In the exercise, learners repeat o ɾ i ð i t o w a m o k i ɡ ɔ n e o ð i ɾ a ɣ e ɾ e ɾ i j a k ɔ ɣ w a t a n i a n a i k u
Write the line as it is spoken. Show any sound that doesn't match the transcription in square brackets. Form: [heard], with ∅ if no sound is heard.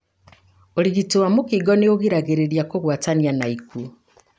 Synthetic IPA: o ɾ i [ɣ] i t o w a m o k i ɡ ɔ n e o [ɣ] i ɾ a ɣ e ɾ e ɾ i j a k [o] ɣ w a t a n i a n a i k u